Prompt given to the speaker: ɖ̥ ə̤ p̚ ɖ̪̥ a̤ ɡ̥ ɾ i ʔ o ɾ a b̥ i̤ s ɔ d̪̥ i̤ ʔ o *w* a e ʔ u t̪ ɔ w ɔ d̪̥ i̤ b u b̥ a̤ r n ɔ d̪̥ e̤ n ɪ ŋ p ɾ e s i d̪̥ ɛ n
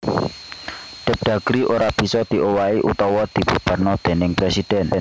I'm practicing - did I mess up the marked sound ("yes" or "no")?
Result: no